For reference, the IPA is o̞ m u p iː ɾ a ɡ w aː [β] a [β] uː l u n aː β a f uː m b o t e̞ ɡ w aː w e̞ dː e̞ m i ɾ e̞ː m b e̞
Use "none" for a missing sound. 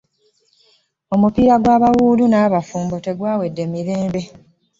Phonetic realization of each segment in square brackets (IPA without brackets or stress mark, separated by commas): β, w